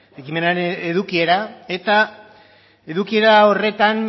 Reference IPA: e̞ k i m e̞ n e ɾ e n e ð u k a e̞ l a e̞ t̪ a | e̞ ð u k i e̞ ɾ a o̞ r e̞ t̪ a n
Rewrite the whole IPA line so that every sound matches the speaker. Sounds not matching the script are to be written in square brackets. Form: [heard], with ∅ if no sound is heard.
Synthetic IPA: e̞ k i m e̞ n [a] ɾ e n e ð u k [i] e̞ [ɾ] a e̞ t̪ a | e̞ ð u k i e̞ ɾ a o̞ r e̞ t̪ a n